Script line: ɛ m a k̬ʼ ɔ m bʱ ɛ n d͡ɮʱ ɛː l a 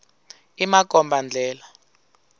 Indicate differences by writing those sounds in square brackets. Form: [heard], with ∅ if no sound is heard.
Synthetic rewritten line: [i] m a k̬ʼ ɔ m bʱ [a] n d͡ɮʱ ɛː l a